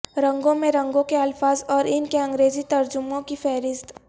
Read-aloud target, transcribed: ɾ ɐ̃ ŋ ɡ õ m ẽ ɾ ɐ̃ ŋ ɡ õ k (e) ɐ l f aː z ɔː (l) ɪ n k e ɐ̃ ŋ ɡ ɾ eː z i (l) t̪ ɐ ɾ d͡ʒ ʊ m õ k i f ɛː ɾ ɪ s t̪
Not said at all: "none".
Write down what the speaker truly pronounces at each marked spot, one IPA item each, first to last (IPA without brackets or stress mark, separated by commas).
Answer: e, ɾ, none